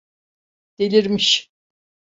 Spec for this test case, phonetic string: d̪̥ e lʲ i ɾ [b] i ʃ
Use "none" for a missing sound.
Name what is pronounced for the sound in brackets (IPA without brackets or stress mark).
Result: m